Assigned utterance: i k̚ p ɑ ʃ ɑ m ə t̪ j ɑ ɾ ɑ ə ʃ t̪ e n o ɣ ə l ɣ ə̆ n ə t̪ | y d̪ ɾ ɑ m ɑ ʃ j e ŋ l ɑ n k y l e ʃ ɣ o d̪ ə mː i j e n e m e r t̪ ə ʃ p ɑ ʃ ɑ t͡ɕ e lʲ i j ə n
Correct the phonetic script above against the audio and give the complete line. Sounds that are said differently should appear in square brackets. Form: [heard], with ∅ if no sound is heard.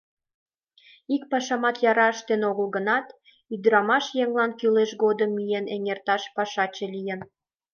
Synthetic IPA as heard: i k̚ p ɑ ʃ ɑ m [ɑ] t̪ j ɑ ɾ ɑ ə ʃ t̪ e n o ɣ ə l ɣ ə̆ n [ɑ] t̪ | y d̪ ɾ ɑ m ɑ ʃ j e ŋ l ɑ n k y l e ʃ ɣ o d̪ ə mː i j e n e [ŋ] e r t̪ [ɑ] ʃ p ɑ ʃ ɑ t͡ɕ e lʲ i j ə n

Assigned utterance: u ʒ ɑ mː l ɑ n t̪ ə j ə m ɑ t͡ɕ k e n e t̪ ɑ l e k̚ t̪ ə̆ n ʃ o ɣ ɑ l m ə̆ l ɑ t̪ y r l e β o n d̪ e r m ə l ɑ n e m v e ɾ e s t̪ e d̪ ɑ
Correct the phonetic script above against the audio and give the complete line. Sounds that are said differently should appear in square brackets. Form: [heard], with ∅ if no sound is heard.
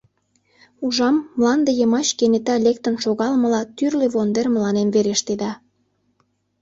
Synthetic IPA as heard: u ʒ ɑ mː l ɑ n [d̪] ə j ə m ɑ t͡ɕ k e n e t̪ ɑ l e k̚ t̪ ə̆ n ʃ o ɣ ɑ l m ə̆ l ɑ t̪ y r l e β o n d̪ e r m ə l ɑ n e m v e ɾ e [ʃ] t̪ e d̪ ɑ

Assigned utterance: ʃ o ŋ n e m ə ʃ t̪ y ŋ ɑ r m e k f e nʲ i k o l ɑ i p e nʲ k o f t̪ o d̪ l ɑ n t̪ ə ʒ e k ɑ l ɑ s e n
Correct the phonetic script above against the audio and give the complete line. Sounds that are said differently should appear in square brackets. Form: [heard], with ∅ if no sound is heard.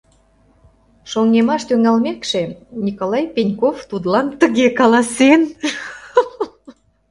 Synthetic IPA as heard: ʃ o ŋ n e m [ɑ] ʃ t̪ y ŋ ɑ [l] m e k [ʃ] e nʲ i k o l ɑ [j] p e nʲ k o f t̪ [u] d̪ l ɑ n t̪ ə [ɣ] e k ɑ l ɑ s e n

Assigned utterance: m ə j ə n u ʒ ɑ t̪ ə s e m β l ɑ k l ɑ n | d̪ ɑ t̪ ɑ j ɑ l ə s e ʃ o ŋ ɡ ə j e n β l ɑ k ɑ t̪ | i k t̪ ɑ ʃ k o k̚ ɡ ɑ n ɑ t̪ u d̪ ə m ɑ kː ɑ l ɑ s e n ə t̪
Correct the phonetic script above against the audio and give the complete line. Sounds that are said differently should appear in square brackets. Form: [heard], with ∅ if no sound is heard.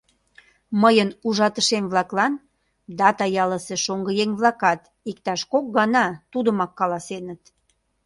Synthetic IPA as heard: m ə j ə n u ʒ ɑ t̪ ə [ʃ] e m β l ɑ k l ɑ n | d̪ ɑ t̪ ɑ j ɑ l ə s e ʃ o ŋ ɡ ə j e [ŋ] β l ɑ k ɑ t̪ | i k t̪ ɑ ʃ k o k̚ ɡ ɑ n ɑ t̪ u d̪ ə m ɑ kː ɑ l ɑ s e n ə t̪

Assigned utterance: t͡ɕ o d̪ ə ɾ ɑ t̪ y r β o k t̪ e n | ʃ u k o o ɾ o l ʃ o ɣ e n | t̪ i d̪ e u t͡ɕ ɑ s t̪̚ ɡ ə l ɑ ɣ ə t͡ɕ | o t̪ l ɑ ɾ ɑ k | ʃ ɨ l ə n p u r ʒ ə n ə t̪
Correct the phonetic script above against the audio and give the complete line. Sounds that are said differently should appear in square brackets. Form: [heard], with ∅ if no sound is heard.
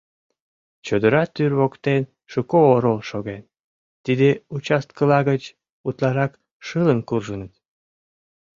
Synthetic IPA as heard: t͡ɕ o d̪ ə ɾ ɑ t̪ y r β o k t̪ e n | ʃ u k o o ɾ o l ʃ o ɣ e n | t̪ i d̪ e u t͡ɕ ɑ s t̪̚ [k] ə l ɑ ɣ ə t͡ɕ | [u] t̪ l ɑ ɾ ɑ k | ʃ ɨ l ə n [k] u r ʒ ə n ə t̪

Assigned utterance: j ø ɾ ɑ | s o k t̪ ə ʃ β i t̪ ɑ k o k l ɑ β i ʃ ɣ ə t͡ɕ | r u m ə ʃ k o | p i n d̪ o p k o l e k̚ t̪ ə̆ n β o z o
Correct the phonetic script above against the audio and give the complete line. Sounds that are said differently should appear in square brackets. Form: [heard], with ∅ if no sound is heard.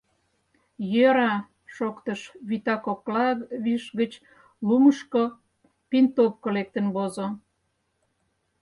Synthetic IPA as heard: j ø ɾ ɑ | [ʃ] o k t̪ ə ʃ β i t̪ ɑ k o k l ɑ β i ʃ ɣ ə t͡ɕ | [l] u m ə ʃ k o | p i n [t̪] o p k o l e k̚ t̪ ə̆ n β o z o

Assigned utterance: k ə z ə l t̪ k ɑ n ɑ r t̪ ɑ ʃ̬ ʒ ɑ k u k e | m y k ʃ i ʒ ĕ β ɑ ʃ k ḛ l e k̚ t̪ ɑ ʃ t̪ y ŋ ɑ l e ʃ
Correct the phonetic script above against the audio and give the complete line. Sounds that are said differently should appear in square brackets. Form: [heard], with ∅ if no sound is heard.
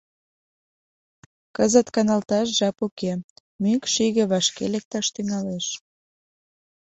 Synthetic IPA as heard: k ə z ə [∅] t̪ k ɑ n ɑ [l] t̪ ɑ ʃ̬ ʒ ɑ [p] u k e | m y k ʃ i [ɣ] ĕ β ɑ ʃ k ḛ l e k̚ t̪ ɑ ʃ t̪ y ŋ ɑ l e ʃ

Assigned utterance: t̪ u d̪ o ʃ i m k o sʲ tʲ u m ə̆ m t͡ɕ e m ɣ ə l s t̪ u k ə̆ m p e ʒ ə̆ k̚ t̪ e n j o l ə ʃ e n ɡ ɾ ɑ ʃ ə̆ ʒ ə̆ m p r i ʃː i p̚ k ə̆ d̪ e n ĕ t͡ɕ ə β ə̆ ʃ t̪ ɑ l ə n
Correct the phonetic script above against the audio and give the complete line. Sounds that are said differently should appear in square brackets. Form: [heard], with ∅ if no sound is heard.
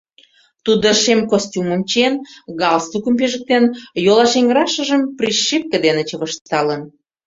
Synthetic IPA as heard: t̪ u d̪ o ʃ [e] m k o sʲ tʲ u m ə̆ m t͡ɕ e [n] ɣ [ɑ] l s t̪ u k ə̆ m p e ʒ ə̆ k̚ t̪ e n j o l [ɑ] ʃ e [ŋ] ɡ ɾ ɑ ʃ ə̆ ʒ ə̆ m p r i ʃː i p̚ k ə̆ d̪ e n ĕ t͡ɕ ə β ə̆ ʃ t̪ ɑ l ə n

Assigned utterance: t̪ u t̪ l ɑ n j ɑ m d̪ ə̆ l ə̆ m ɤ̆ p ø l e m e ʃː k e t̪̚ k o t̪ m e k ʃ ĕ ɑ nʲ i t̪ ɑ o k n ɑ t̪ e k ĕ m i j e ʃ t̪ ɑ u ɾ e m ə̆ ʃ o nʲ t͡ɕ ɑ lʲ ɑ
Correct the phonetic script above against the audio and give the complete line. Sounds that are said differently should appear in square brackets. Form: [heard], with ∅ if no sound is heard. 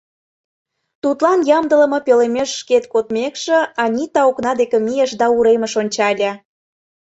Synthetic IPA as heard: t̪ u t̪ l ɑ n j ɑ m d̪ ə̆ l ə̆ m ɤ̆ p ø l e m e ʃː k e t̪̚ k o t̪ m e k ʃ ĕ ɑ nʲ i t̪ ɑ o k n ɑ [d̪] e k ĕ m i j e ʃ [d̪] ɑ u ɾ e m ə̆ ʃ o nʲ t͡ɕ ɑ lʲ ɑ

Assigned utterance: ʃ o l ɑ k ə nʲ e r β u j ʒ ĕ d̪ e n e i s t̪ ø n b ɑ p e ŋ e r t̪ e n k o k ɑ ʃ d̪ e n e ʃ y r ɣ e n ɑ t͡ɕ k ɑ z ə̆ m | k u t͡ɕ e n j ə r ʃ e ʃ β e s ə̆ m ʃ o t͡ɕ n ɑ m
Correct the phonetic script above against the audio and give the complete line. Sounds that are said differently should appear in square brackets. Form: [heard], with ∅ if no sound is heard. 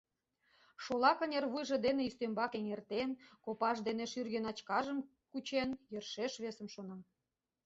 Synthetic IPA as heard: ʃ o l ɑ k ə nʲ e r β u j ʒ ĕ d̪ e n e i s t̪ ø [m] b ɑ [k] e ŋ e r t̪ e n k o [p] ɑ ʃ d̪ e n e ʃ y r ɣ e n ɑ t͡ɕ k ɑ [ʒ] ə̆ m | k u t͡ɕ e n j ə r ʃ e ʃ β e s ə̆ m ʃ o [∅] n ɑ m

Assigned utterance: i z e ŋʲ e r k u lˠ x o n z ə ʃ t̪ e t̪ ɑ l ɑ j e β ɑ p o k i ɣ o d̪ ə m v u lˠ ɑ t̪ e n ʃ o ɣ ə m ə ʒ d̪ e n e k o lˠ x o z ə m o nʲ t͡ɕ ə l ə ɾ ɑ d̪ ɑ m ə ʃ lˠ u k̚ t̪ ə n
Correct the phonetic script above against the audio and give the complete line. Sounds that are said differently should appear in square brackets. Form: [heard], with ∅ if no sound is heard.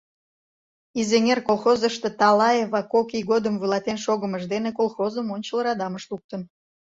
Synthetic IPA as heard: i z e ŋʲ e r k [o] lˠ x o [∅] z ə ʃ t̪ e t̪ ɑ l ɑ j e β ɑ [k] o k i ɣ o d̪ ə m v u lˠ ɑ t̪ e n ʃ o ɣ ə m ə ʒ d̪ e n e k o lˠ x o z ə m o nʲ t͡ɕ ə l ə ɾ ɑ d̪ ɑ m ə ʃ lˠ u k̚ t̪ ə n

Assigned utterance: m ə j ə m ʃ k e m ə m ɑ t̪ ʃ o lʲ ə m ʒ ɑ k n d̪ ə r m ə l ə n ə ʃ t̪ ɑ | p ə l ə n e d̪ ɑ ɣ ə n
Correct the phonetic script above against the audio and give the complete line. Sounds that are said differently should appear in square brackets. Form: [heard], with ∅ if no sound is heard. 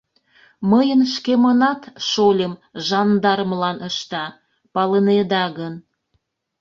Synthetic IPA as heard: m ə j ə [n] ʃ k e m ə [n] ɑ t̪ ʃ o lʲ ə m ʒ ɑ [∅] n d̪ [ɑ] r m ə l [ɑ] n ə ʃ t̪ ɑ | p [ɑ] l ə n e d̪ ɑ ɣ ə n

